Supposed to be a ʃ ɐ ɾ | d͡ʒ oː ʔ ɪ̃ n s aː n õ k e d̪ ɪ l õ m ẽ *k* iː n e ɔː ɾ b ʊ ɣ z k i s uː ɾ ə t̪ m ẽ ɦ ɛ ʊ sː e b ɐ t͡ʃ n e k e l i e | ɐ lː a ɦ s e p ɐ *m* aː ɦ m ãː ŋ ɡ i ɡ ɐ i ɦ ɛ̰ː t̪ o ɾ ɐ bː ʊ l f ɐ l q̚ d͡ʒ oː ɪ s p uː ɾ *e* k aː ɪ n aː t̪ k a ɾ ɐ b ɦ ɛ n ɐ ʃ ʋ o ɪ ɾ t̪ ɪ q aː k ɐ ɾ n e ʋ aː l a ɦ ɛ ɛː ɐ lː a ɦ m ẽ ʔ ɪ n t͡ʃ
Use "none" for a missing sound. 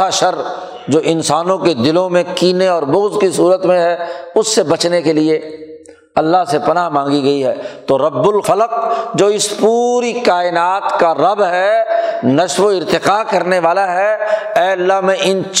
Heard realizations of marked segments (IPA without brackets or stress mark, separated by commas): k, n, i